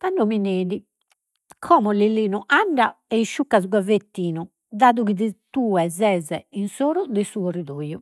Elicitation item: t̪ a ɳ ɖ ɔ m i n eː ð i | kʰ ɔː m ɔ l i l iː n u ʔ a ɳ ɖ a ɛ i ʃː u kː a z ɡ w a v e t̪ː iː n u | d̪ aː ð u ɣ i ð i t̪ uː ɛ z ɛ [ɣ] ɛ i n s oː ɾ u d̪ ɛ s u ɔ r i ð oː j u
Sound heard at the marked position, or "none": z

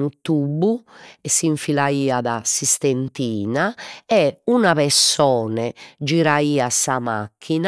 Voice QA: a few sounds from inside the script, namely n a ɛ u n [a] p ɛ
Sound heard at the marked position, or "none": a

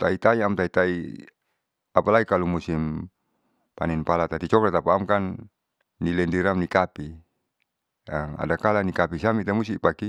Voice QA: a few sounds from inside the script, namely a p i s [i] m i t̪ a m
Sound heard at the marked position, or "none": a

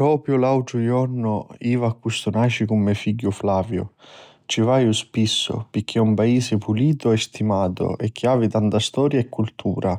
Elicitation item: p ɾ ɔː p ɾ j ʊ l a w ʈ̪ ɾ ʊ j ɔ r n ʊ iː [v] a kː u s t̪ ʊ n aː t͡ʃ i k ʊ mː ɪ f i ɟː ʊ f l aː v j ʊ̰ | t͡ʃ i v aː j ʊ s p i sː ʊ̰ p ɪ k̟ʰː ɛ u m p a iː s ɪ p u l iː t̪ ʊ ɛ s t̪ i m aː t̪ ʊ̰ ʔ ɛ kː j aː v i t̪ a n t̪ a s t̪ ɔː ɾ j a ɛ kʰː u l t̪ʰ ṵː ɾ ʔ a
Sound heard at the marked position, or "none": v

